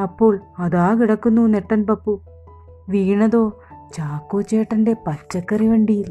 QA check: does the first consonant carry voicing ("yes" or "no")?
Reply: no